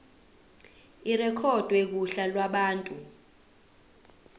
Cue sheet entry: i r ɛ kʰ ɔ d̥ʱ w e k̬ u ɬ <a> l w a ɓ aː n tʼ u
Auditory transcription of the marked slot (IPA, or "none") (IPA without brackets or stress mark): a